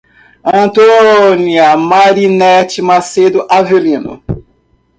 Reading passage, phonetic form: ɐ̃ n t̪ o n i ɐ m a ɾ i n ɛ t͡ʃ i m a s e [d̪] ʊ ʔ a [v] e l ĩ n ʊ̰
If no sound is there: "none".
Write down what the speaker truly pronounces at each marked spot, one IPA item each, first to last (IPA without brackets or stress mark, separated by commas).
d̪, v